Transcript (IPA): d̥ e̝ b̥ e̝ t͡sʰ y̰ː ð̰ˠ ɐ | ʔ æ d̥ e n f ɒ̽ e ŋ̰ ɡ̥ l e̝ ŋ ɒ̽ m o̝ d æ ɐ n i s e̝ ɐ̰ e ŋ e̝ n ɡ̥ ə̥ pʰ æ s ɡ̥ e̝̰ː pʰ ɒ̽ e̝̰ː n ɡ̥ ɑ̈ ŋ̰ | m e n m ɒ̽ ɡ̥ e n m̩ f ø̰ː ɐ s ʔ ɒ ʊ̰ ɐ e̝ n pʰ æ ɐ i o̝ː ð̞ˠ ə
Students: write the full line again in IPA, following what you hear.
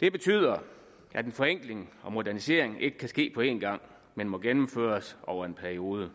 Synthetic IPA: d̥ e̝ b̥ e̝ t͡sʰ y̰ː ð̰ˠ ɐ | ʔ æ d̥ e n f ɒ̽ e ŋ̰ ɡ̥ l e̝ ŋ ɒ̽ m o̝ d æ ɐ n i s e̝ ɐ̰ e ŋ e̝ ɡ̥ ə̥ kʰ æ s ɡ̥ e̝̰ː pʰ ɒ̽ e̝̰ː n ɡ̥ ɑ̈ ŋ̰ | m e n m ɒ̽ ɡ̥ e n m̩ f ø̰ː ɐ s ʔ ɒ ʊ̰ ɐ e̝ n pʰ æ ɐ i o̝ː ð̞ˠ ə